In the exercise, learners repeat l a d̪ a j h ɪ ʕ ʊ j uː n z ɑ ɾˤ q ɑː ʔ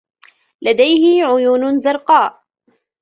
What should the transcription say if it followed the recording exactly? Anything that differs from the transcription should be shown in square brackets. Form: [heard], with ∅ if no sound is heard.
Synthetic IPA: l a d̪ a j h ɪ ʕ ʊ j uː n z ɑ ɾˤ q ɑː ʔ